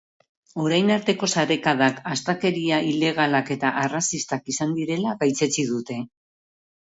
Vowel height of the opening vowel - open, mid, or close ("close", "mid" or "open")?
mid